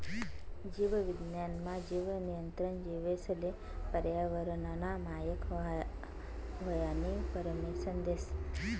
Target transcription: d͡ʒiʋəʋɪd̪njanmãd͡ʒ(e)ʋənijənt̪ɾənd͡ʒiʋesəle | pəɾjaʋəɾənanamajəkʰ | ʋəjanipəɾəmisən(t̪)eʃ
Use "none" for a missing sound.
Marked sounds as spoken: i, d̪

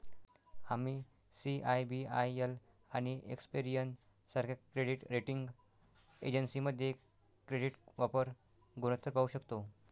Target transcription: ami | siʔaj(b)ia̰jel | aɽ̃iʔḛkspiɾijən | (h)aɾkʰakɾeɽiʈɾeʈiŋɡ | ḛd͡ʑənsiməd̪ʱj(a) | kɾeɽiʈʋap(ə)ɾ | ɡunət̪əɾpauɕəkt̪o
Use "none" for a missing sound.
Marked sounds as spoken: b, s, e, ə

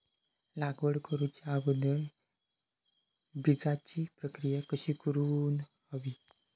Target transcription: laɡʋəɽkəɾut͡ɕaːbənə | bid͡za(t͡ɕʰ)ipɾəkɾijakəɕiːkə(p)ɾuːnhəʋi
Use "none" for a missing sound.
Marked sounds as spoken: t͡ɕ, none

